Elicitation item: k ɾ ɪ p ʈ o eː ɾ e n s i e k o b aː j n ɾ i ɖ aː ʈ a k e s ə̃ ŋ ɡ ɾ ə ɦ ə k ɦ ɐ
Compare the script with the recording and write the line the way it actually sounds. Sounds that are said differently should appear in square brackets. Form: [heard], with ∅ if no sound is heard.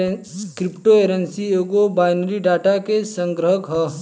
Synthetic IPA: k ɾ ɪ p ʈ o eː ɾ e n s i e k o b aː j n ɾ i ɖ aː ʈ a k e s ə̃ ŋ ɡ ɾ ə ɦ ə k ɦ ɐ